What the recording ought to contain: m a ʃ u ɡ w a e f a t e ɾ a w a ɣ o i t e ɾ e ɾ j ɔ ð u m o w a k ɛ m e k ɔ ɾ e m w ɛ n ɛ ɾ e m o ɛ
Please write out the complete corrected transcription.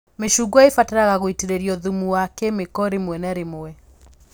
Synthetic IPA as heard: m e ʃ u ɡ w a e f a t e ɾ a ɣ a ɣ o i t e ɾ e ɾ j ɔ ð u m u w a k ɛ m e k ɔ ɾ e m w ɛ n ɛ ɾ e m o ɛ